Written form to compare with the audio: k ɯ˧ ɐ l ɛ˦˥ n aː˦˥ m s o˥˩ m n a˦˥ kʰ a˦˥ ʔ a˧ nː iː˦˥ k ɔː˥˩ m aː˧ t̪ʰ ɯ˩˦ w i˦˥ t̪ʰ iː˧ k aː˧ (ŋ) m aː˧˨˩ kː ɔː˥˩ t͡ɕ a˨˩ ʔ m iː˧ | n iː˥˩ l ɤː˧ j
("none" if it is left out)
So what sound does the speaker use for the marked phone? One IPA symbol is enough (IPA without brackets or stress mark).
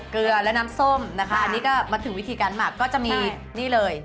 n